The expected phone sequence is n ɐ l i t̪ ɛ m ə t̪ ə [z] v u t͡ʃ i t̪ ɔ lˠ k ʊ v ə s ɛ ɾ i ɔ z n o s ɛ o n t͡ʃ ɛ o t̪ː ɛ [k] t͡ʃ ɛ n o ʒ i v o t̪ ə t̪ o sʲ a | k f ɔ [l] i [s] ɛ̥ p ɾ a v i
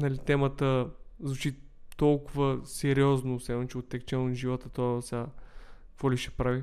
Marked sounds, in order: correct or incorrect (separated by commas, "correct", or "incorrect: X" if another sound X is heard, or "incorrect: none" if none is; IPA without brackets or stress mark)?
correct, correct, correct, incorrect: ʃ